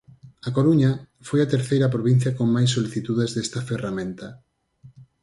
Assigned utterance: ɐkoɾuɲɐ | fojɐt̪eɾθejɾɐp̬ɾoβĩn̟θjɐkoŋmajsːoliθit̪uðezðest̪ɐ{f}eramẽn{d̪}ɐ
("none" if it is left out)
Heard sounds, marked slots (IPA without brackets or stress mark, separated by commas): f, t̪